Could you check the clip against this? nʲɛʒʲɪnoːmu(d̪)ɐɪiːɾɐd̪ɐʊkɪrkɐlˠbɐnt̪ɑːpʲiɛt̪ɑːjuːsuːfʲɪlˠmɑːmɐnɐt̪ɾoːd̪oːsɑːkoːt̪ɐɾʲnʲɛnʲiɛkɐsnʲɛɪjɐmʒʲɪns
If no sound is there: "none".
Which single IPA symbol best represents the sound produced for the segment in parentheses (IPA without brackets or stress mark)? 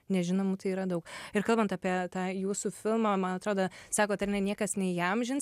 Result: t̪